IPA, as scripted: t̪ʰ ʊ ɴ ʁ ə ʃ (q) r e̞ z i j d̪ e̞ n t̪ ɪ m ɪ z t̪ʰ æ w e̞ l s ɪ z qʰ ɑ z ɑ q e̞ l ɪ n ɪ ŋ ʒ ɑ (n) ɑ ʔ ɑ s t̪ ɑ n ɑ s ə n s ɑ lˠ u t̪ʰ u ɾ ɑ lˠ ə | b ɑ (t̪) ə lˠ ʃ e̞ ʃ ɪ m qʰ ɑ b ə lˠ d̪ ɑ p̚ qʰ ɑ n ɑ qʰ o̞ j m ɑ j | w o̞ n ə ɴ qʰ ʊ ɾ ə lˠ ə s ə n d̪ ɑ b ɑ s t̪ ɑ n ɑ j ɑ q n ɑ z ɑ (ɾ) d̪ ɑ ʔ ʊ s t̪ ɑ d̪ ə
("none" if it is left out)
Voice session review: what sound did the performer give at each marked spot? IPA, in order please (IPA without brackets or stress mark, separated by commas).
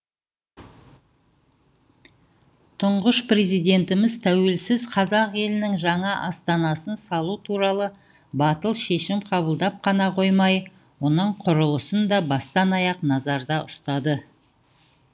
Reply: p, ɴ, t̪, ɾ